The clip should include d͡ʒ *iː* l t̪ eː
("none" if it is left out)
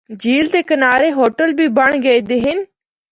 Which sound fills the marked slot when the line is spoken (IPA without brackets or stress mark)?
iː